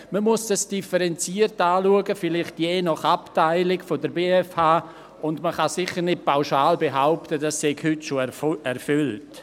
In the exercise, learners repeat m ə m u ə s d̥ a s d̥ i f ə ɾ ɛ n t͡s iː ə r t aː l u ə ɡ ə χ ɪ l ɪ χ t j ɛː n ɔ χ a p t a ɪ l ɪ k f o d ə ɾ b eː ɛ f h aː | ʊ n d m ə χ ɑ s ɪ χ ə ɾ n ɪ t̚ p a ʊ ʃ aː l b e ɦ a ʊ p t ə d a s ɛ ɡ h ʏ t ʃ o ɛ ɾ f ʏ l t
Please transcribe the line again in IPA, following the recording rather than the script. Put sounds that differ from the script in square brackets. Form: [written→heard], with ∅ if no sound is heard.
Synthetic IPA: m ə m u ə s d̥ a s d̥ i f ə ɾ ɛ n t͡s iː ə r t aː l u ə ɡ ə [χ→f] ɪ l ɪ χ t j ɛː n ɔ χ a p t a ɪ l ɪ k f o d ə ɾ b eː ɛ f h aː | ʊ n d m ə χ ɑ s ɪ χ ə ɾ n ɪ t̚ p a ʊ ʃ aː l b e ɦ a ʊ p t ə d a s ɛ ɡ h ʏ t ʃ o ɛ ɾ f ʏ l t